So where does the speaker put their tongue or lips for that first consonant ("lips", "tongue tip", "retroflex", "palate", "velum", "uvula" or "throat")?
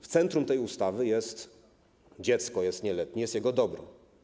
lips